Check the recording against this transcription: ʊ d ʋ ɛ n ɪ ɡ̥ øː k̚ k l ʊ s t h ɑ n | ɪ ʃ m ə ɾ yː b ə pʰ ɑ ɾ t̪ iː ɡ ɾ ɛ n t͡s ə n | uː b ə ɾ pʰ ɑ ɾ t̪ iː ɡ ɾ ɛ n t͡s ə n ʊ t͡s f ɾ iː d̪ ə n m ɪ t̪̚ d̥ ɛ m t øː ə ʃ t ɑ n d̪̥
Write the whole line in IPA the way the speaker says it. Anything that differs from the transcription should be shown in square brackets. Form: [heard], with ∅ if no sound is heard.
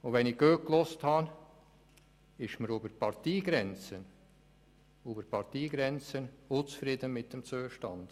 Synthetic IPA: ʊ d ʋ ɛ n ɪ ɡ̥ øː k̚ k l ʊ s t h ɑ n | ɪ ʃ m ə ɾ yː b ə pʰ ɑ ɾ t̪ iː ɡ ɾ ɛ n t͡s ə n | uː b ə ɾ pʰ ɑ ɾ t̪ iː ɡ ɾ ɛ n t͡s ə n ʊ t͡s f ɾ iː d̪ ə n m ɪ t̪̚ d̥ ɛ m [t͡s] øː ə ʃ t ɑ n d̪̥